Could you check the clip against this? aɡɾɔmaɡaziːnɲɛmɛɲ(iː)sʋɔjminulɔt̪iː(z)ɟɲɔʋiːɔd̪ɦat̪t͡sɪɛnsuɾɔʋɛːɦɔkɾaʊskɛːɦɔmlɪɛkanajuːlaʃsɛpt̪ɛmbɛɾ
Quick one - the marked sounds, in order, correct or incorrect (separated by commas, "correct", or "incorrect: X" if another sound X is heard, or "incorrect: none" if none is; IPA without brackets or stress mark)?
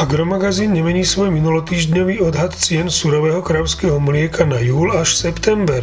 correct, incorrect: ʒ